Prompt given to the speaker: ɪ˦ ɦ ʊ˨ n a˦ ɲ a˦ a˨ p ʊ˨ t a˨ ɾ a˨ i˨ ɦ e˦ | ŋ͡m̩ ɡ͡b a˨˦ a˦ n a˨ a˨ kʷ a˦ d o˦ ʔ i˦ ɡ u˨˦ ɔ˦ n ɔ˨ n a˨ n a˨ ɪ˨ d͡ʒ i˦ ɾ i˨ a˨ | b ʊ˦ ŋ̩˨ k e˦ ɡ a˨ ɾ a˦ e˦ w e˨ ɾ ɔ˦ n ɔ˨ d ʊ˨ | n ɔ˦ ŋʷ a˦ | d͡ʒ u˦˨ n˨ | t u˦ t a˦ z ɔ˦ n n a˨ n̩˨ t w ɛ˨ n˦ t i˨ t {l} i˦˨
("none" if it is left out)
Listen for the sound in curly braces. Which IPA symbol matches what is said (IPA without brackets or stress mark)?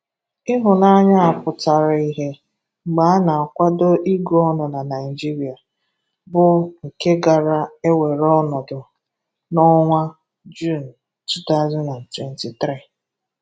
ɾ